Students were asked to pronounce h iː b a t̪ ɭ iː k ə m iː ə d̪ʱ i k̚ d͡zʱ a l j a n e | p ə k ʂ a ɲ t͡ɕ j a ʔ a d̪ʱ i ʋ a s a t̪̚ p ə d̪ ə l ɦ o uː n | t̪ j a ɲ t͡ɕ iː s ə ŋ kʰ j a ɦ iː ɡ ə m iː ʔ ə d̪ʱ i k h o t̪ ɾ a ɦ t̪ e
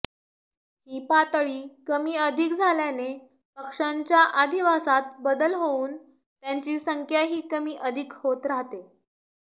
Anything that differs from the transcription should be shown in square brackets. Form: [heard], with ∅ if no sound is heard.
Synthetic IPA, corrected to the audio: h iː [p] a t̪ ɭ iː k ə m iː ə d̪ʱ i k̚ d͡zʱ a l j a n e | p ə k ʂ a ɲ t͡ɕ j a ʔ a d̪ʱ i ʋ a s a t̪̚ [b] ə d̪ ə l ɦ o uː n | t̪ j a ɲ t͡ɕ iː s ə ŋ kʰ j a ɦ iː [k] ə m iː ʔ ə d̪ʱ i k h o t̪ ɾ a ɦ t̪ e